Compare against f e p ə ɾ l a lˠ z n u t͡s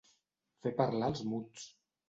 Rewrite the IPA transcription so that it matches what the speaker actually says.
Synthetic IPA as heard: f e p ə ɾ l a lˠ z m u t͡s